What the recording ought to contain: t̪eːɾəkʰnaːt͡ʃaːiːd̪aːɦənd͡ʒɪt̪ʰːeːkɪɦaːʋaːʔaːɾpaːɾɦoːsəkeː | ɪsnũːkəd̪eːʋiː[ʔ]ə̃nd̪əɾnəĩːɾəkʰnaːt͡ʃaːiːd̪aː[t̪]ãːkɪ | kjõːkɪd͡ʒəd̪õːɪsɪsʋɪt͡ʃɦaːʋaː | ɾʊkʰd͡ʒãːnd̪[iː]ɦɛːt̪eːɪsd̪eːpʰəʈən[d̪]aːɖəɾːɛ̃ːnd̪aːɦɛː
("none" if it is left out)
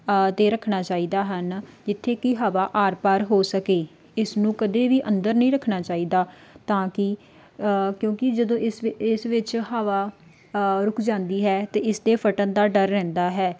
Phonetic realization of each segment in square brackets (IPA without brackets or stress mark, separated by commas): ʔ, t̪, iː, d̪